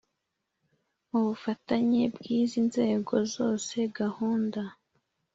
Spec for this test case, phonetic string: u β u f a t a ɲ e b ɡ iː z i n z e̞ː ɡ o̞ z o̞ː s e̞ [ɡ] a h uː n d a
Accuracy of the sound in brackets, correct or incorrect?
correct